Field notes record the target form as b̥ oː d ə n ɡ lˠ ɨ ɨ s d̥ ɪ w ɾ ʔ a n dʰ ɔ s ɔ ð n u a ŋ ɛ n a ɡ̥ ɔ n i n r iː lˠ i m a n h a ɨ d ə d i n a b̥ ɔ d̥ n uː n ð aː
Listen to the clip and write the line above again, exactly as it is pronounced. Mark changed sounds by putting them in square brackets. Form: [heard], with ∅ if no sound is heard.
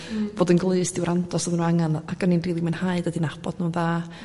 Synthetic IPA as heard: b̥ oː d ə n ɡ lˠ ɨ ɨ s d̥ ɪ w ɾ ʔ a n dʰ ɔ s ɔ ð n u a ŋ [a] n a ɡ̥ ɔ n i n r iː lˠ i m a n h a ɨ d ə d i n a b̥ ɔ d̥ n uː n ð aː